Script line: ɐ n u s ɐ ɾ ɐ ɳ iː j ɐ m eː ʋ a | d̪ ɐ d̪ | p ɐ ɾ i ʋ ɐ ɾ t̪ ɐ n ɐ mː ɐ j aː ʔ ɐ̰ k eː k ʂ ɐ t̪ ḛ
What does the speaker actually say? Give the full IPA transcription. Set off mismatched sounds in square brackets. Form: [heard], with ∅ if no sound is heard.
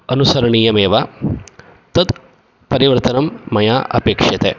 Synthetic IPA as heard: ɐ n u s ɐ ɾ ɐ ɳ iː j ɐ m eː ʋ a | [t̪] ɐ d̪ | p ɐ ɾ i ʋ ɐ ɾ t̪ ɐ n ɐ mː ɐ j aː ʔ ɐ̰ [p] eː k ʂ ɐ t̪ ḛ